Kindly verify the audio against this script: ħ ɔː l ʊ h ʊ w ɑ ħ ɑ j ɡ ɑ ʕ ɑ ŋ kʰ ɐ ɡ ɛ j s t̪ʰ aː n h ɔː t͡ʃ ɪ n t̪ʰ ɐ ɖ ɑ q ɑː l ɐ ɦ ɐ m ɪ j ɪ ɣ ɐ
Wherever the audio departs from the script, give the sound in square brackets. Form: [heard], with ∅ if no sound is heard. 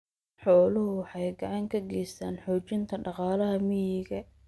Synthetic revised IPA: ħ ɔː l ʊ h ʊ w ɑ ħ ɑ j ɡ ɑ ʕ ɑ ŋ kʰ ɐ ɡ ɛ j s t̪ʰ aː n [ħ] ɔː t͡ʃ ɪ n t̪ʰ ɐ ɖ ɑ q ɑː l ɐ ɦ ɐ m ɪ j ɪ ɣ ɐ